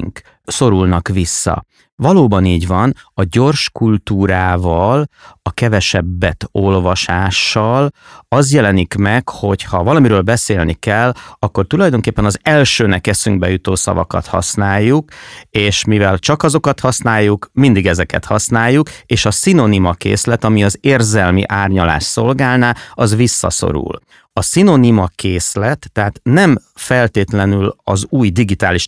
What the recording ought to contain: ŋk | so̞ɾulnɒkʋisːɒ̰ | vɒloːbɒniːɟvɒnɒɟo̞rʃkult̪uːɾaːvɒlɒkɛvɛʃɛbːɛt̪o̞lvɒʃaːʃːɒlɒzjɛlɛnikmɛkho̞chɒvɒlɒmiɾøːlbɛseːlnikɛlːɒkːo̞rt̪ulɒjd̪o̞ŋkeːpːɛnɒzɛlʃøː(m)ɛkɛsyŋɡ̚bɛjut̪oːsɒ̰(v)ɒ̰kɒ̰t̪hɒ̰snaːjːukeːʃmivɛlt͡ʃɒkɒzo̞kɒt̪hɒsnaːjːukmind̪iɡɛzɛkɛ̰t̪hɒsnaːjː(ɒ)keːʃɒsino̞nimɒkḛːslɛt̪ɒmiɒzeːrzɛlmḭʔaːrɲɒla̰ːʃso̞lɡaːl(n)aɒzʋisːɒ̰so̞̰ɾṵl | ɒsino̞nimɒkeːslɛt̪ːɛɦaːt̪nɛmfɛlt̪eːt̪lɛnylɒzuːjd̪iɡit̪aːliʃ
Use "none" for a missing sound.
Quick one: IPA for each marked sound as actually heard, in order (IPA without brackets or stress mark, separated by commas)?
n, v, u, n